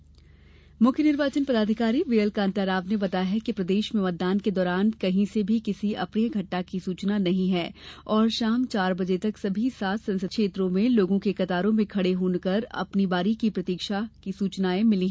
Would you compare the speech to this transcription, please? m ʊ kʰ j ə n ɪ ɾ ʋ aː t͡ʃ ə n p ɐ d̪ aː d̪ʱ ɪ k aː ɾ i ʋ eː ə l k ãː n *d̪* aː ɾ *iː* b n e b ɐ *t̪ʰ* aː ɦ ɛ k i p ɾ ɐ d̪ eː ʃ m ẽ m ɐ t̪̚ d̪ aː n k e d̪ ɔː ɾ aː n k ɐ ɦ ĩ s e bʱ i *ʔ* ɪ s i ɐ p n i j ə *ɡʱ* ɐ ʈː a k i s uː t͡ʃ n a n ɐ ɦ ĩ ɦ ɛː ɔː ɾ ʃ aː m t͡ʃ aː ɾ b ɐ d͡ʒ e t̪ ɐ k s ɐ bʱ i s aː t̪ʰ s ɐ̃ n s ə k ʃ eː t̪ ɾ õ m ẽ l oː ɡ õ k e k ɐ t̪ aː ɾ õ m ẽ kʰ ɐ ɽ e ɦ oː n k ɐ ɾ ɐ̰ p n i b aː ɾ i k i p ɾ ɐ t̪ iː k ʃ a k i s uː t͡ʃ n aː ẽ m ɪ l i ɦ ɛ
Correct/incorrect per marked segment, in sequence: incorrect: t̪, incorrect: aː, incorrect: t̪, incorrect: k, correct

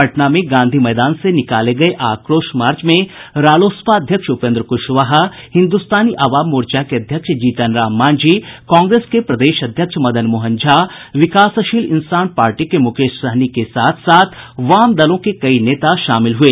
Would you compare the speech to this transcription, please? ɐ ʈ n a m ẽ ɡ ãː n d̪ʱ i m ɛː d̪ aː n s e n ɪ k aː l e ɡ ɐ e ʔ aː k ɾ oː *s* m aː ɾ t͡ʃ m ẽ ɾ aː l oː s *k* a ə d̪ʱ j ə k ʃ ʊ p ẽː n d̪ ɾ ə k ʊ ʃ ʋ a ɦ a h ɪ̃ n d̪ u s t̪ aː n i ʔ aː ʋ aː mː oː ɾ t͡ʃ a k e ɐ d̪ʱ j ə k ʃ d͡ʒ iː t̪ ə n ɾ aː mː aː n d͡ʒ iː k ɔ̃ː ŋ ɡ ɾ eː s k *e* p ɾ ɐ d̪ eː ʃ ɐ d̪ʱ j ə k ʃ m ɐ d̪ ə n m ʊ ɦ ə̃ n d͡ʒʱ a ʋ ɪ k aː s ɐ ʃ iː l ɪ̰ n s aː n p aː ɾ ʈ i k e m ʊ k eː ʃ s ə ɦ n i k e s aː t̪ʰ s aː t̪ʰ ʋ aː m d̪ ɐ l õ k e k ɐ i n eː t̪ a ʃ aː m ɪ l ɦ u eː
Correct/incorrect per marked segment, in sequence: incorrect: ʃ, incorrect: p, correct

